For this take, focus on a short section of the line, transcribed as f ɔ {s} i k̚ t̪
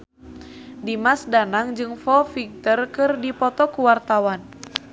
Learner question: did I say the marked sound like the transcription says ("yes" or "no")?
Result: no